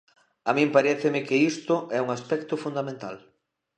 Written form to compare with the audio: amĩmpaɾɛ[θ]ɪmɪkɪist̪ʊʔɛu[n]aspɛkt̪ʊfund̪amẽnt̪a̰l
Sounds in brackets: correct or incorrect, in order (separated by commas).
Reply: correct, incorrect